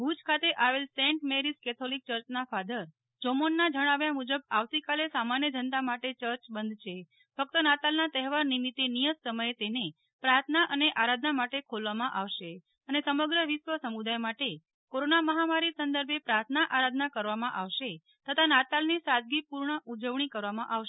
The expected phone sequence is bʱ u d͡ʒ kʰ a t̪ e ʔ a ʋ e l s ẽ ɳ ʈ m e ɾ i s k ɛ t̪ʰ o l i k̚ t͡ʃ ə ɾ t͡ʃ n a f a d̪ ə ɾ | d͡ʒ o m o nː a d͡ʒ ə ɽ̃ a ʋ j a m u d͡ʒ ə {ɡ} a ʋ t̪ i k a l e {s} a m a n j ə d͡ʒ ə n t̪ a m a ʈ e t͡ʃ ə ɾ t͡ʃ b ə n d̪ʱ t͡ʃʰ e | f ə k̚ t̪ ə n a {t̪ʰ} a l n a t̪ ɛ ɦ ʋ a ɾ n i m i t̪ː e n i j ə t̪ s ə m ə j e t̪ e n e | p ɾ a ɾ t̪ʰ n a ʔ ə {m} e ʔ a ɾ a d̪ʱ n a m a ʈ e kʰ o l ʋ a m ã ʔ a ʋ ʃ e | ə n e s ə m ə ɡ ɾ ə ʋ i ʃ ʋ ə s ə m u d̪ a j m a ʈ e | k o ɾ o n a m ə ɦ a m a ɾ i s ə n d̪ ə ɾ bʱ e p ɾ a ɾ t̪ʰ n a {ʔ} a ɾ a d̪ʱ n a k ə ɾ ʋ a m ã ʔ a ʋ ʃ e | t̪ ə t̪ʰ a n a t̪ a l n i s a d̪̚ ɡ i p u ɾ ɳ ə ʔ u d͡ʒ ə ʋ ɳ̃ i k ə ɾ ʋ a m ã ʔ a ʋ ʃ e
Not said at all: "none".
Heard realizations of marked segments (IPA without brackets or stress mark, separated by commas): b, s, t̪, n, ʔ